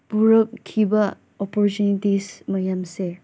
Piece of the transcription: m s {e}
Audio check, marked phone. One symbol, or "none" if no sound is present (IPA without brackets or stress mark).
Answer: e